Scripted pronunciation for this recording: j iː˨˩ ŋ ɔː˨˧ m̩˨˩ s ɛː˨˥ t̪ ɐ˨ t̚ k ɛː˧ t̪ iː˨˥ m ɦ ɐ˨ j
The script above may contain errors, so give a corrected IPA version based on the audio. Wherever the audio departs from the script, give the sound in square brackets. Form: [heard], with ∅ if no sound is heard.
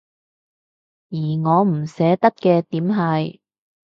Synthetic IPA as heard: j iː˨˩ ŋ ɔː˨˧ m̩˨˩ s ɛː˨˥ t̪ [ɐ˥] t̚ k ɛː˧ t̪ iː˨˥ m ɦ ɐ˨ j